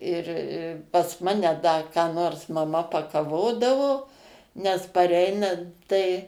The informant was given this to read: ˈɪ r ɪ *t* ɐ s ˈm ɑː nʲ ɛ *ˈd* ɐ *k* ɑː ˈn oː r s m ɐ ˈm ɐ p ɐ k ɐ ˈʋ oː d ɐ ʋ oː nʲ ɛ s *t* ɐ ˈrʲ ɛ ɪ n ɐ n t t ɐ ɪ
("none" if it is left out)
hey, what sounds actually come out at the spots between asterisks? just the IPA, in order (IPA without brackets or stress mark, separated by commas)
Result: p, d, k, p